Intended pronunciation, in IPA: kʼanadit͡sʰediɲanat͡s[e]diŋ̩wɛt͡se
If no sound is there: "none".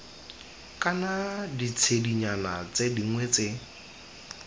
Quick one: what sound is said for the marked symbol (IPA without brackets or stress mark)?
e